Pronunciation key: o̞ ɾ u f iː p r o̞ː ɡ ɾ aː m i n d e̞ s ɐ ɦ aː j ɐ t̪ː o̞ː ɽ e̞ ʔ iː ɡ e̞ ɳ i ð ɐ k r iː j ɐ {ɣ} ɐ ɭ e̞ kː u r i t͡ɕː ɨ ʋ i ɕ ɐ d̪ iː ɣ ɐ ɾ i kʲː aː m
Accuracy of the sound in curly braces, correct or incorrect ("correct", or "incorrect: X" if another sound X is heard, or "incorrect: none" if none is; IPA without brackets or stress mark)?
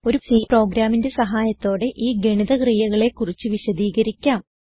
correct